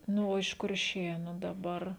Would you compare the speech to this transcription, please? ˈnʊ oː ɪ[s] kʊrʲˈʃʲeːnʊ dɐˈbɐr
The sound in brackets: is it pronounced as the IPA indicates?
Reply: no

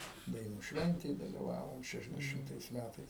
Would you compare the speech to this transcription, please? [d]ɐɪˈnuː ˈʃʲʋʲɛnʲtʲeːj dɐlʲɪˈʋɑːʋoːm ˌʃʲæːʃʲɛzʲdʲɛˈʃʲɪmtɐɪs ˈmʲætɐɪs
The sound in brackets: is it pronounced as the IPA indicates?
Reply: yes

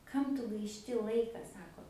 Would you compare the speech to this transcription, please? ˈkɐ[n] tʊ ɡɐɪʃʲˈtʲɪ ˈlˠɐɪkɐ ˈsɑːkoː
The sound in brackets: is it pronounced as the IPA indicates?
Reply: no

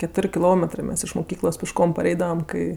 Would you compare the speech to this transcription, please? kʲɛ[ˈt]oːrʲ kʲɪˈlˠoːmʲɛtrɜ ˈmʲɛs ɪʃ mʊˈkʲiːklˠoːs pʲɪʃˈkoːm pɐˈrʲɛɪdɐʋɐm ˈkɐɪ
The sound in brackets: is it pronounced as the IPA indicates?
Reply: yes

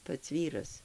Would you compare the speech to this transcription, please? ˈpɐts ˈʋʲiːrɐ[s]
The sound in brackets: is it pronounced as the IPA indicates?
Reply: yes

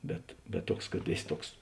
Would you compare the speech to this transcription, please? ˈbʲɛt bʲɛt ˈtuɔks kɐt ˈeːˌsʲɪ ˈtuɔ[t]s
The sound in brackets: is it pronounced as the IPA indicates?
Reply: no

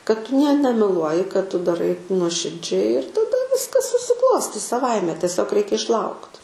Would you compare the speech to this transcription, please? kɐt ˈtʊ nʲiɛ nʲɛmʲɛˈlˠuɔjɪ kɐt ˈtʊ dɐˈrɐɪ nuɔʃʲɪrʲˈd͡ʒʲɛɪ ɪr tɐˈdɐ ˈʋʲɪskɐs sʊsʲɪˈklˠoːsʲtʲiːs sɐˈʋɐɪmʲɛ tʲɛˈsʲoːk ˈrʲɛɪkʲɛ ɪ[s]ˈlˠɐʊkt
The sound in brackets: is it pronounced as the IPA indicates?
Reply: no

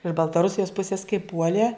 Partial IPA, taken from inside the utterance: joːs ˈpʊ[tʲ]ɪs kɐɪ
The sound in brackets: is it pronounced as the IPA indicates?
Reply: no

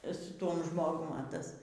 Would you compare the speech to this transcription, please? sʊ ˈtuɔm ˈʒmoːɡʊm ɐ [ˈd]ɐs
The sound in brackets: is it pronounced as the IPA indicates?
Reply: no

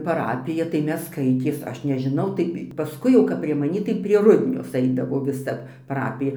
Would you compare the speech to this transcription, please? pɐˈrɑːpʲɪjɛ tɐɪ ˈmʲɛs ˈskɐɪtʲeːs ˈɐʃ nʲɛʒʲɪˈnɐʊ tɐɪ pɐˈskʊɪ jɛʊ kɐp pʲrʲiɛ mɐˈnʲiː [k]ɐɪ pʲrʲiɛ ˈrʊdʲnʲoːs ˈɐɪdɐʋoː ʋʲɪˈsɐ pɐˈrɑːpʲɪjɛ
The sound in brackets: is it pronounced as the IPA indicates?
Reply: no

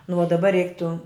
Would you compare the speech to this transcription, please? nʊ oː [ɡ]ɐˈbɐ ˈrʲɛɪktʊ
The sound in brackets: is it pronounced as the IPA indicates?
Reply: no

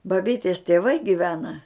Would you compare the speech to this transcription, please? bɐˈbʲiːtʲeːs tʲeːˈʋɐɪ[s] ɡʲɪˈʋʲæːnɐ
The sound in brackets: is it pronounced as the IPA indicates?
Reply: no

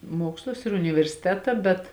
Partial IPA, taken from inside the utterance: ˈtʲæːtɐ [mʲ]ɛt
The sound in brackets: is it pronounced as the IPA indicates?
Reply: no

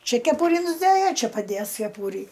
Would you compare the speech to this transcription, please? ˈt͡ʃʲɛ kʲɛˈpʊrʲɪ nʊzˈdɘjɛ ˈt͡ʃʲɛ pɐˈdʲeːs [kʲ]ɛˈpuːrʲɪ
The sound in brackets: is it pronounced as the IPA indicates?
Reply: yes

